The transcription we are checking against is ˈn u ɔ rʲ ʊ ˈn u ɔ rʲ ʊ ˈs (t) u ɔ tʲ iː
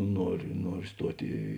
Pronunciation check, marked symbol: correct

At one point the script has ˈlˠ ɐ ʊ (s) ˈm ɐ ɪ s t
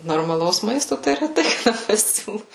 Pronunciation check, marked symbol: correct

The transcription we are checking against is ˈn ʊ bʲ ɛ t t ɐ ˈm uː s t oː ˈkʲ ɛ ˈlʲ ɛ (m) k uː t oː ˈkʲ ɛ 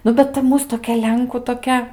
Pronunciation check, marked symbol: incorrect: ŋ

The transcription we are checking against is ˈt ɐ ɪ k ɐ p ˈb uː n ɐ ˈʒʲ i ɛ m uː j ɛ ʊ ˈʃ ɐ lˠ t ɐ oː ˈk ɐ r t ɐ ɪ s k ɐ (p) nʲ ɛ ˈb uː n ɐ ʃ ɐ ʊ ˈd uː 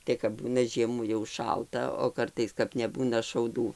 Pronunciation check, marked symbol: correct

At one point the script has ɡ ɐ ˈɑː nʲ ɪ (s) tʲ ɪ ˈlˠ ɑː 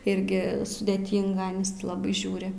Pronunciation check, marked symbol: correct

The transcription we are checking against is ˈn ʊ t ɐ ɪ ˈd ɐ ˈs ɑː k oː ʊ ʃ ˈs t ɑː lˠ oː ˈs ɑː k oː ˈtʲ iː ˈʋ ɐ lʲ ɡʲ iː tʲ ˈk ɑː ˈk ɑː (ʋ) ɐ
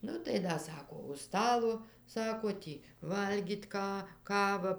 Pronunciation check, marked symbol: correct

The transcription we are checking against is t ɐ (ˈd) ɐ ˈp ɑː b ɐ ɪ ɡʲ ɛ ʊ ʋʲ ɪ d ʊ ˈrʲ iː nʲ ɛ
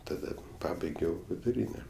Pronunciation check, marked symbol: correct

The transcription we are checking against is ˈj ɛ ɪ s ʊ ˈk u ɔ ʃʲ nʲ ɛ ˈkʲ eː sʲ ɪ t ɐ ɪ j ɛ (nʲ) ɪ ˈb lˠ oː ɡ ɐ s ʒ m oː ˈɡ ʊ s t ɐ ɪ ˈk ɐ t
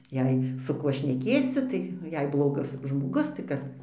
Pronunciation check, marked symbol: incorrect: none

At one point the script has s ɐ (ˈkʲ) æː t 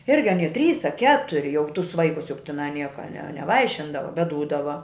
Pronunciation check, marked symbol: correct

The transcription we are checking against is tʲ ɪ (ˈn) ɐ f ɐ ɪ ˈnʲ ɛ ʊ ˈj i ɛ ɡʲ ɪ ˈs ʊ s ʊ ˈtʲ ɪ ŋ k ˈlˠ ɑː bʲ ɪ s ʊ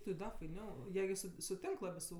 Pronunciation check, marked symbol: incorrect: d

